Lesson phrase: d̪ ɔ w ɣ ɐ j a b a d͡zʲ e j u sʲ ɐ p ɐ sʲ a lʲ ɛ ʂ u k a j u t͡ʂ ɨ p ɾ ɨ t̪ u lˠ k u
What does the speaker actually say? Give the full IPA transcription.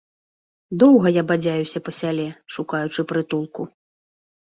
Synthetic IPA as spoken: d̪ ɔ w ɣ ɐ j a b a d͡zʲ a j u sʲ ɐ p ɐ sʲ a lʲ ɛ ʂ u k a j u t͡ʂ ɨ p ɾ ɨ t̪ u lˠ k u